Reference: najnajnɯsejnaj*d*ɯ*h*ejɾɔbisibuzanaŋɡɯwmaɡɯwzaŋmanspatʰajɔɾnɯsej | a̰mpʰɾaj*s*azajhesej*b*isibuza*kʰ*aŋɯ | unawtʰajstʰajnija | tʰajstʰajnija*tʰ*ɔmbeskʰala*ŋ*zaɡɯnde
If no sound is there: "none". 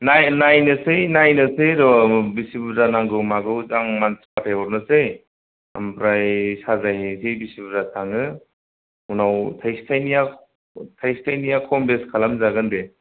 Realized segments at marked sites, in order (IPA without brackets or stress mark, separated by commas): n, s, s, b, tʰ, kʰ, m